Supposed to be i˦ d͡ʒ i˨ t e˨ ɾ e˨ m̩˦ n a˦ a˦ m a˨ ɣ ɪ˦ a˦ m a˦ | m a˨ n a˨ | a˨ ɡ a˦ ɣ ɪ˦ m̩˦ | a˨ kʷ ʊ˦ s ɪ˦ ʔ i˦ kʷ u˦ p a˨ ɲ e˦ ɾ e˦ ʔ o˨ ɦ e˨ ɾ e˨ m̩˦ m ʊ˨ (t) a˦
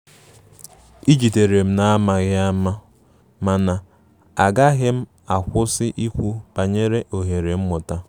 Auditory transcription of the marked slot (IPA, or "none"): t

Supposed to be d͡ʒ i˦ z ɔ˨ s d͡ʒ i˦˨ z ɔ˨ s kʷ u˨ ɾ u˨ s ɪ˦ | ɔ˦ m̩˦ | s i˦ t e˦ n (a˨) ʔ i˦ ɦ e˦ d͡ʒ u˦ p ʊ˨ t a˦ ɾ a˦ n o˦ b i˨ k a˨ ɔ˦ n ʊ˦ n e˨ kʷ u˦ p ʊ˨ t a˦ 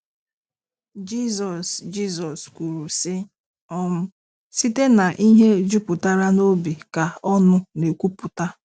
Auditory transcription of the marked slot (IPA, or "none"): a˨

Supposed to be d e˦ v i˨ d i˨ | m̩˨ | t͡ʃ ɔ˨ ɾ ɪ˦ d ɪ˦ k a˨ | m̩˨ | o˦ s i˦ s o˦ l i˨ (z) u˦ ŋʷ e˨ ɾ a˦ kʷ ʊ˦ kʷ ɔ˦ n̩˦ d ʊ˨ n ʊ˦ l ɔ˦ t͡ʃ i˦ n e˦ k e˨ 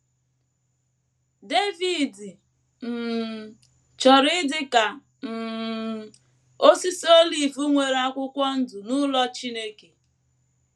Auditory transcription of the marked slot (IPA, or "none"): v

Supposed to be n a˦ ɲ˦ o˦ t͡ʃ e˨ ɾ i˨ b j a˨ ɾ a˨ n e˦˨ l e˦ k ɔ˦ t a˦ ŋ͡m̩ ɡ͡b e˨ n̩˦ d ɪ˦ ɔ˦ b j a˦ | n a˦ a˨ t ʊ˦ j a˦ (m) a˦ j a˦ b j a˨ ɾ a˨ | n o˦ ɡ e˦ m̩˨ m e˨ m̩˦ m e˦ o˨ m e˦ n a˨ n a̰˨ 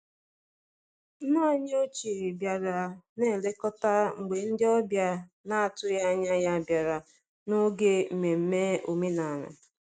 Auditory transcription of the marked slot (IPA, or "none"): ɲ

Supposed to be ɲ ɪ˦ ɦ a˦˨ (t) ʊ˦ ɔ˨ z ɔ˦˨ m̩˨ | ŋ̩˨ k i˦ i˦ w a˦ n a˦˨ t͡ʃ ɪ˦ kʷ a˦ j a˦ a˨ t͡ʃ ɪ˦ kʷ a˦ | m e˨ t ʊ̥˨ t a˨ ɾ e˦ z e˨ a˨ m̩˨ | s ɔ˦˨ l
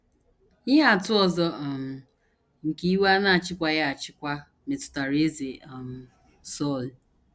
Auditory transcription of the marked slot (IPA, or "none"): t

